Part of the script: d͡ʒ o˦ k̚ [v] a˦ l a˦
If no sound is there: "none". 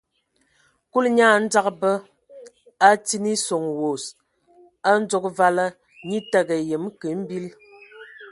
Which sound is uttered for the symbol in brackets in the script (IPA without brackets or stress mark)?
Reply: v